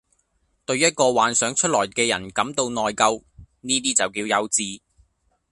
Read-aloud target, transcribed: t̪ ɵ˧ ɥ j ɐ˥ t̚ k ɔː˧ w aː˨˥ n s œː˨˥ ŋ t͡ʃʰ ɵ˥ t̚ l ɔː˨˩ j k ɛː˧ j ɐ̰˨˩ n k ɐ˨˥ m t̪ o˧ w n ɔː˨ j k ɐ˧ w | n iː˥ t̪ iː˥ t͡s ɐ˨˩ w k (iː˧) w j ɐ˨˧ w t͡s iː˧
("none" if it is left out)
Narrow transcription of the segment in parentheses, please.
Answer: iː˧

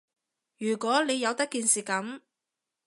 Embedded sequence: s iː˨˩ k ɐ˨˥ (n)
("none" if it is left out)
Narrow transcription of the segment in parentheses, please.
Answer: m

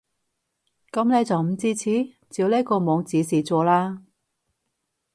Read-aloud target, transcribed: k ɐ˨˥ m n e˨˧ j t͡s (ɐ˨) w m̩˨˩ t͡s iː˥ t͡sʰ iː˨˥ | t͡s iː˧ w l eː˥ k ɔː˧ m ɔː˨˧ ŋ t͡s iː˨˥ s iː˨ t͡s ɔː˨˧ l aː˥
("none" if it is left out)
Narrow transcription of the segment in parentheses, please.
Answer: ɐ˨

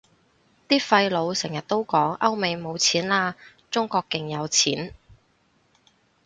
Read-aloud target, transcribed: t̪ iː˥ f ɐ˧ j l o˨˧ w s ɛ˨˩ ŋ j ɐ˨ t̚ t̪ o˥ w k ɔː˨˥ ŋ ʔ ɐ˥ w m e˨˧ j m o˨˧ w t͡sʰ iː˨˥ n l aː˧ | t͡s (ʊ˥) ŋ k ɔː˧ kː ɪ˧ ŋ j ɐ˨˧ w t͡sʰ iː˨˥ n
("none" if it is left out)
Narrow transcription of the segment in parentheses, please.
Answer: ʊ˥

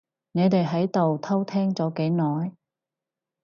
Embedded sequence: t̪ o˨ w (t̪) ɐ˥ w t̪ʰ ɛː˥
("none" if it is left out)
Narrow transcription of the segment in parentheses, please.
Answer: t̪ʰ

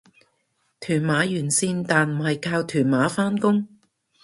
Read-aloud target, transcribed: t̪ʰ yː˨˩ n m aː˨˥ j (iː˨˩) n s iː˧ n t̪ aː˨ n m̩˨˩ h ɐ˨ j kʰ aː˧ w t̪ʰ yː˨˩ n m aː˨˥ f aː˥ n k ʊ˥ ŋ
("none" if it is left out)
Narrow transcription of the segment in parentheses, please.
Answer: yː˨˩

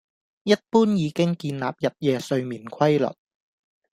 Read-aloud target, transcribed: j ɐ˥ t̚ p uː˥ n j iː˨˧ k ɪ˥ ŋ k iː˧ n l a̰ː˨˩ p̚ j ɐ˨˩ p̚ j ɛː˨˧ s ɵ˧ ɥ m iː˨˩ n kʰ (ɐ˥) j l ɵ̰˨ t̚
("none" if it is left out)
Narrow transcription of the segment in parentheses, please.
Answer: ɐ˥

